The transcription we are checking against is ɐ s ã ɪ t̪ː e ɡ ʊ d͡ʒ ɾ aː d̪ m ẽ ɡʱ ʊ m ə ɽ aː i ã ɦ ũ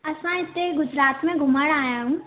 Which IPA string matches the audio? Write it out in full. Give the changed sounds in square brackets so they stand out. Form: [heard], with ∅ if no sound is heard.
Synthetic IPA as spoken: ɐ s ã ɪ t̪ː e ɡ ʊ d͡ʒ ɾ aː [t̪] m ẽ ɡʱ ʊ m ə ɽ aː [j] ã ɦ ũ